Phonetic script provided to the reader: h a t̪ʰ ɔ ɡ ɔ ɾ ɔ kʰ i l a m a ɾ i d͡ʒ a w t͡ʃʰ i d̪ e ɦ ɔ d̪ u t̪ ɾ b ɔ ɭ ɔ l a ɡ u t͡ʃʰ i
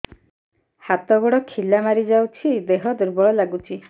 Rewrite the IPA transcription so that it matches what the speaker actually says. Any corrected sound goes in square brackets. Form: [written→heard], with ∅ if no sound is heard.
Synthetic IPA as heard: h a [t̪ʰ→t̪] ɔ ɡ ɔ [ɾ→ɽ] ɔ kʰ i l a m a ɾ i d͡ʒ a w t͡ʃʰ i d̪ e ɦ ɔ d̪ u [t̪→∅] ɾ b ɔ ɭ ɔ l a ɡ u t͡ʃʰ i